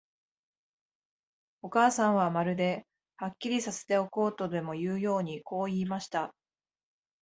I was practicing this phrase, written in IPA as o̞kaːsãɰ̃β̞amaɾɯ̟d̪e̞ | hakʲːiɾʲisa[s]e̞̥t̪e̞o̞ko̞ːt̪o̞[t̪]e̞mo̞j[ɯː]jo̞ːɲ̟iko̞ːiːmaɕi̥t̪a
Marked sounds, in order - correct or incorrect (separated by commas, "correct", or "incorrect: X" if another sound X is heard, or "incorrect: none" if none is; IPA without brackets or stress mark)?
correct, incorrect: d̪, correct